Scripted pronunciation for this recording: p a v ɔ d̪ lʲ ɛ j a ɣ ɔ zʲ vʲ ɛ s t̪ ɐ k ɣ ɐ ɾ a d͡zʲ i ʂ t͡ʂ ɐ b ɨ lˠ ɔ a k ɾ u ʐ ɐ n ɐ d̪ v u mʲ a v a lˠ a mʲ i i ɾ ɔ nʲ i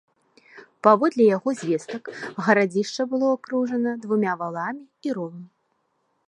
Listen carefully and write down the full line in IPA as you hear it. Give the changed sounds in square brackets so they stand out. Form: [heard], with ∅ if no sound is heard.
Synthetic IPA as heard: p a v ɔ d̪ lʲ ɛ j a ɣ ɔ zʲ vʲ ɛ s t̪ ɐ k ɣ ɐ ɾ a d͡zʲ i ʂ t͡ʂ ɐ b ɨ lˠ ɔ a k ɾ u ʐ ɐ n ɐ d̪ v u mʲ a v a lˠ a mʲ i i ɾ ɔ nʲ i